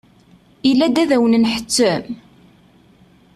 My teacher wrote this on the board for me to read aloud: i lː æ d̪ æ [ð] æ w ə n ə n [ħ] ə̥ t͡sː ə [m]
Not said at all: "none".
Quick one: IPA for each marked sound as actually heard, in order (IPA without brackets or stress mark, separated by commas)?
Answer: ð, ħ, m